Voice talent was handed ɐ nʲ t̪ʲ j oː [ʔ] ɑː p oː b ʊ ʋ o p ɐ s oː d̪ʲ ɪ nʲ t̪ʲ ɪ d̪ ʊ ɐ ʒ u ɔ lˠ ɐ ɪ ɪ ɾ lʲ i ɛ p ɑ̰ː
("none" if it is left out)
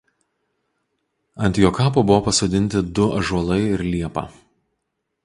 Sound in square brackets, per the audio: k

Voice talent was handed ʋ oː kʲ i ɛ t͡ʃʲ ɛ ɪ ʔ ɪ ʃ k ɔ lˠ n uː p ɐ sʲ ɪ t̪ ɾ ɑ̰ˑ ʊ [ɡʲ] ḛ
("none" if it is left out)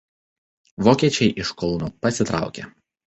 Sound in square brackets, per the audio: kʲ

